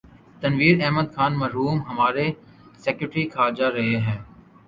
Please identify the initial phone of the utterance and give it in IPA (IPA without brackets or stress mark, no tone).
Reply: t̪